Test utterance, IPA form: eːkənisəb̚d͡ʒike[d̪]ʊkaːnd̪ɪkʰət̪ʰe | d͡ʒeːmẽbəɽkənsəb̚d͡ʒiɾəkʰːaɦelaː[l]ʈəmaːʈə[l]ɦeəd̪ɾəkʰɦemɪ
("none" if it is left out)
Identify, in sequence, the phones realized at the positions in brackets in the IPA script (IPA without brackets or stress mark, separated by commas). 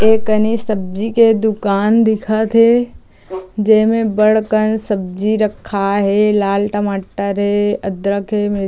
d̪, l, ɾ